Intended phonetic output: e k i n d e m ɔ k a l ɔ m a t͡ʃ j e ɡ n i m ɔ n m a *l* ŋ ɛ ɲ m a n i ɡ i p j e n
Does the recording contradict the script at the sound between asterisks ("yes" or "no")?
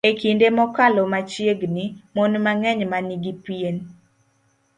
yes